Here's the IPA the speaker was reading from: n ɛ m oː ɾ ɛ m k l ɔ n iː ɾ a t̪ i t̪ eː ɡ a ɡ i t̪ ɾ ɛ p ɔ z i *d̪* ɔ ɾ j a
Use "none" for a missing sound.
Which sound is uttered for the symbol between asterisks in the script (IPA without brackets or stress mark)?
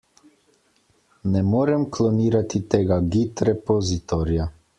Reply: t̪